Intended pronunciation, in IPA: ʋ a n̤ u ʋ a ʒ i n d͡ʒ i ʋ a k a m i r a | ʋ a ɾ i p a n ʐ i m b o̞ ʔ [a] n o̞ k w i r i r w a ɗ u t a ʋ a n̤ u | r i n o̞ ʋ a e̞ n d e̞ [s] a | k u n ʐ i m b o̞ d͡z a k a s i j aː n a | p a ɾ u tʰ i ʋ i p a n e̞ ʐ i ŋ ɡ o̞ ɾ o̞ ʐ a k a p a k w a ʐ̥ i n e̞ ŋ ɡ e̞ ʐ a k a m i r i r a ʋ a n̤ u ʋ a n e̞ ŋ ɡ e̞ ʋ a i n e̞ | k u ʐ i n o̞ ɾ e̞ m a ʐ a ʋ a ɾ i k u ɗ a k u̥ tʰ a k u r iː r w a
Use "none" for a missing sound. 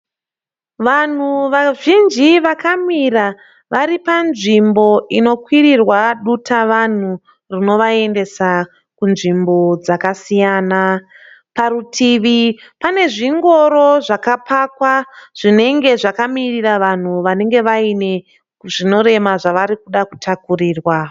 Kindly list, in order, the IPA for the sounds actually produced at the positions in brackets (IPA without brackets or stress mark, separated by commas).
i, s